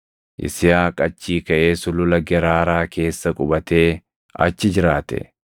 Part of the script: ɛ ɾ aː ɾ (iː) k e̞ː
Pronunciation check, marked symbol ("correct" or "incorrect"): incorrect